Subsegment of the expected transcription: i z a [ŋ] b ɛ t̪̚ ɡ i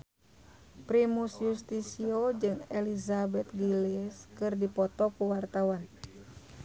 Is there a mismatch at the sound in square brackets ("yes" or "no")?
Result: yes